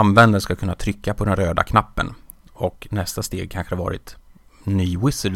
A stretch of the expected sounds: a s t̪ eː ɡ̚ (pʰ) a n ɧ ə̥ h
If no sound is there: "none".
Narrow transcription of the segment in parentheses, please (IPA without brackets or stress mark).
kʰ